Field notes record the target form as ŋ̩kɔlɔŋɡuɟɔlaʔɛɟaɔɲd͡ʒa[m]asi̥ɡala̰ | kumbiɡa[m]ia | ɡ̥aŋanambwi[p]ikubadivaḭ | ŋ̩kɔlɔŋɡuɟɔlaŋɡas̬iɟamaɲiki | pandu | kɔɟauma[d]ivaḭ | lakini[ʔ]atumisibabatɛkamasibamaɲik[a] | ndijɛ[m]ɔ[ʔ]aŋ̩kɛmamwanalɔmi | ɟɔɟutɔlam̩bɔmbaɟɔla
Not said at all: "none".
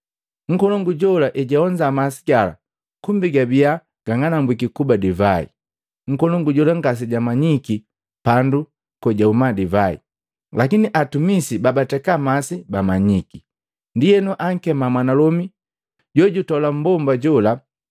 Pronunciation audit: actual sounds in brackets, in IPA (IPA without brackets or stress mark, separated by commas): m, b, k, d, ʔ, i, n, ʔ